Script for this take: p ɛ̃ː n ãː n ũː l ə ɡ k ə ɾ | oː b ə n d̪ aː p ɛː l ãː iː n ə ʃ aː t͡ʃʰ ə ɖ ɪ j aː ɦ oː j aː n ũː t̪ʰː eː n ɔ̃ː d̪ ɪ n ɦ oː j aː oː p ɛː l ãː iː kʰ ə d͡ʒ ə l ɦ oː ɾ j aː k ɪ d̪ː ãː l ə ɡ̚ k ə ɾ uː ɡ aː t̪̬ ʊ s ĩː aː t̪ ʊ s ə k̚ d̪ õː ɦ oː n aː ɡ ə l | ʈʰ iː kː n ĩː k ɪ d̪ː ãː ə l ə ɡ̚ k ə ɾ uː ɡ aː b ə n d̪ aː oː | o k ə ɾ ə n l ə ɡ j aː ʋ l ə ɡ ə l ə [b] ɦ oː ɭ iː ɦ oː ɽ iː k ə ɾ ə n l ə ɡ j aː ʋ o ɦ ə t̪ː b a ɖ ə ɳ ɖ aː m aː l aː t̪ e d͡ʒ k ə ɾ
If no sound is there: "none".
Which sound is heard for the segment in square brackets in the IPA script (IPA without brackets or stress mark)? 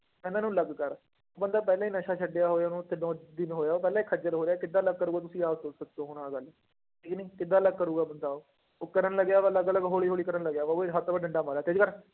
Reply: ɡ